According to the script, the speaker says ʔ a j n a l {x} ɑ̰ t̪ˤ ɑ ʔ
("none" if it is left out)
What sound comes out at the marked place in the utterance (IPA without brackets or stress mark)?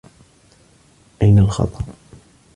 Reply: x